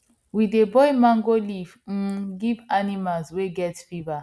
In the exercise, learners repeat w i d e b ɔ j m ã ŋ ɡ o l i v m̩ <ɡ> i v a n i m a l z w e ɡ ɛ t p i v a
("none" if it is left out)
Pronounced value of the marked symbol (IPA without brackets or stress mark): ɡ